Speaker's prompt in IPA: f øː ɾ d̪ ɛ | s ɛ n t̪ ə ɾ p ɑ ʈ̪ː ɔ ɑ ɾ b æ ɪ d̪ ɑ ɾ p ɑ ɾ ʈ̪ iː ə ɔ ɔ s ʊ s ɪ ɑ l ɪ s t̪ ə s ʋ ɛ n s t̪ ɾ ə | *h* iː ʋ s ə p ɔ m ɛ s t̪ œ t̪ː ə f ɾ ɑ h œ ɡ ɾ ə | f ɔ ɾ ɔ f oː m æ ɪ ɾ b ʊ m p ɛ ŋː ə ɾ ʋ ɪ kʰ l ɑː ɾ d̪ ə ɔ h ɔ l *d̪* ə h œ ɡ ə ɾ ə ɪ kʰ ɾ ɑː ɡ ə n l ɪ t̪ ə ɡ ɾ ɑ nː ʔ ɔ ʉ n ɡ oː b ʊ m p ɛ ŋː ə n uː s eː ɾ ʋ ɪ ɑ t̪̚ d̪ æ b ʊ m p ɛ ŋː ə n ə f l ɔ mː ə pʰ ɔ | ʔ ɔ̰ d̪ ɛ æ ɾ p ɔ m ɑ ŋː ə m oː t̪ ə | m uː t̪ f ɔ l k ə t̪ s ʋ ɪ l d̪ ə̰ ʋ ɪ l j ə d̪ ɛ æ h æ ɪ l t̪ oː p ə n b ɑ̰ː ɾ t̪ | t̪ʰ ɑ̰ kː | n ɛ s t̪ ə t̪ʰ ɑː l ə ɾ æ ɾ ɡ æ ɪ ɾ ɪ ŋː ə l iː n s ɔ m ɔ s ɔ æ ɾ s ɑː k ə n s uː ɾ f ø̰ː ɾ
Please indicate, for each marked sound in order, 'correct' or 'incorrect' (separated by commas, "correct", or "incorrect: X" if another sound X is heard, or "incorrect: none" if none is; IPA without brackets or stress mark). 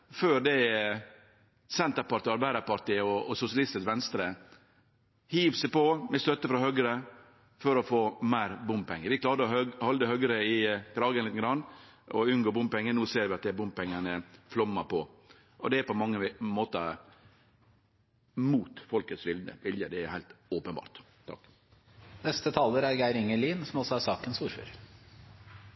correct, correct